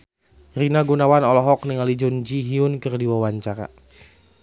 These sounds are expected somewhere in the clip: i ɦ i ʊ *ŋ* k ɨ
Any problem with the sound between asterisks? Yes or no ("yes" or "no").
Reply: yes